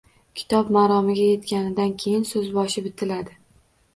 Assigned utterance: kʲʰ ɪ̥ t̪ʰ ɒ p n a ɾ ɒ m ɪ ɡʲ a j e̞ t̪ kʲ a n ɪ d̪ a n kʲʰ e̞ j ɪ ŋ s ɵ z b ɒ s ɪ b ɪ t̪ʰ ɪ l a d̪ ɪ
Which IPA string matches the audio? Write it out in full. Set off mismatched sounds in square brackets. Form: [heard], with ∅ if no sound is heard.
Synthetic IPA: kʲʰ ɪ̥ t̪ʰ ɒ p [m] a ɾ ɒ m ɪ ɡʲ a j e̞ t̪ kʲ a n ɪ d̪ a n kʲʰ e̞ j ɪ [n] s ɵ z b ɒ [ʃ] ɪ b ɪ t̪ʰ ɪ l a d̪ ɪ